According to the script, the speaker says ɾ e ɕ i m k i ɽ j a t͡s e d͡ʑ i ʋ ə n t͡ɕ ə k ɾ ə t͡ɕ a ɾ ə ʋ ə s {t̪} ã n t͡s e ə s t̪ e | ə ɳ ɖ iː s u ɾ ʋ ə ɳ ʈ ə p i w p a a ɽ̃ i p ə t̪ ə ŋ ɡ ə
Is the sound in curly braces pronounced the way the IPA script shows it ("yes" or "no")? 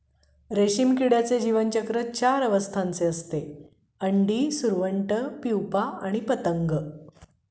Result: no